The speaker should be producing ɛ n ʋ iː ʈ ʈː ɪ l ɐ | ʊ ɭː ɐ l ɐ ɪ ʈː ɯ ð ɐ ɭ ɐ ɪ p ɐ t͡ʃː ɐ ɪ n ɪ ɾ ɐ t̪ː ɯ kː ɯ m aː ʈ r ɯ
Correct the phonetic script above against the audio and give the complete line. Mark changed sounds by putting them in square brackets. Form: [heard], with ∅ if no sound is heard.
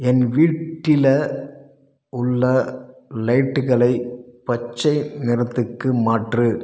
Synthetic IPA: ɛ n ʋ iː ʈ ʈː ɪ l ɐ | ʊ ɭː ɐ l ɐ ɪ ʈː ɯ [ɣ] ɐ ɭ ɐ ɪ p ɐ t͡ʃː ɐ ɪ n ɪ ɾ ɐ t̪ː ɯ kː ɯ m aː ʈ r ɯ